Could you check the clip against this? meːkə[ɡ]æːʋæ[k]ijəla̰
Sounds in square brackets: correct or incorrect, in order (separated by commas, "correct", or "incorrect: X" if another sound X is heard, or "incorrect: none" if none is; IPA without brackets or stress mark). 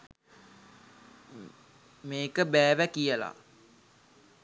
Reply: incorrect: b, correct